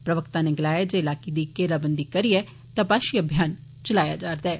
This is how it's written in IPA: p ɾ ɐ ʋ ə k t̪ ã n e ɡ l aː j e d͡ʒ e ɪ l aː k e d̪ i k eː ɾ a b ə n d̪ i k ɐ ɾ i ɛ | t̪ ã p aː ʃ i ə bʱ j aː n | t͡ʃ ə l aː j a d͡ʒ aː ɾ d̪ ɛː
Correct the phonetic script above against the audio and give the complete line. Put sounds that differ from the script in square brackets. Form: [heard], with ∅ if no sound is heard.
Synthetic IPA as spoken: p ɾ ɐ ʋ ə k t̪ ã n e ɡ l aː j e d͡ʒ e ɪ l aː k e d̪ i k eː ɾ a b ə n d̪ i k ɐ ɾ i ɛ | t̪ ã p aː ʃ i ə bʱ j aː n | t͡ʃ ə l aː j a d͡ʒ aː ɾ d̪ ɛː